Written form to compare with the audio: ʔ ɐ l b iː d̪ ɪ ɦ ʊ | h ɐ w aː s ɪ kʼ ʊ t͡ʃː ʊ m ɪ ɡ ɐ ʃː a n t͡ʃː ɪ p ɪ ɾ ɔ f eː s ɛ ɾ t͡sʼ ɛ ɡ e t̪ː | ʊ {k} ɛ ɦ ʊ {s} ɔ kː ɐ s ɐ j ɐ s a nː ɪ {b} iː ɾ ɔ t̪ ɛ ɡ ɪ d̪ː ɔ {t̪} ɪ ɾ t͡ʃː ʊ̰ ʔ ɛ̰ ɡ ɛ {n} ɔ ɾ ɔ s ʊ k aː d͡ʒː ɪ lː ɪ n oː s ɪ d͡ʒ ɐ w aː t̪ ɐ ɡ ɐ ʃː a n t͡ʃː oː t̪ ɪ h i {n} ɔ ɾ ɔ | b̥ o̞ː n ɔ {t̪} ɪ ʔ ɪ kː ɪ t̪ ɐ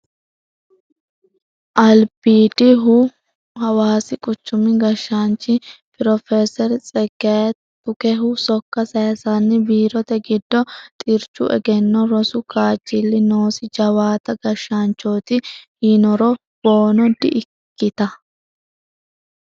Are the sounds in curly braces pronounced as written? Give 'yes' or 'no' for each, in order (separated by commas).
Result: yes, yes, yes, no, no, yes, no